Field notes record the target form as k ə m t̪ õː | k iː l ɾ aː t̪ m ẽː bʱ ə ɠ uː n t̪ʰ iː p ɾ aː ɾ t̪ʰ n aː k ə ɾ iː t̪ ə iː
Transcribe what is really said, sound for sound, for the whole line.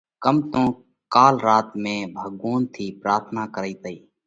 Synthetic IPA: k ə m t̪ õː | k aː l ɾ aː t̪ m ẽː bʱ ə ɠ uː n t̪ʰ iː p ɾ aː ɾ t̪ʰ n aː k ə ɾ iː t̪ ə iː